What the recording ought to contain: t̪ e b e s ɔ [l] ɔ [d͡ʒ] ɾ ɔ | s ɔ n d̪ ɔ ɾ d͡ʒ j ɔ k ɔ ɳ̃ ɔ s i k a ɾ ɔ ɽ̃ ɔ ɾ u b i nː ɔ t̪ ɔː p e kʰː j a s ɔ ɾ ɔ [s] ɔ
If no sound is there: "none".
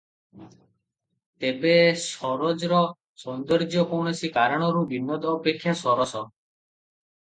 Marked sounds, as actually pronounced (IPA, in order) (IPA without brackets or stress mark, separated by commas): ɾ, d͡ʒ, s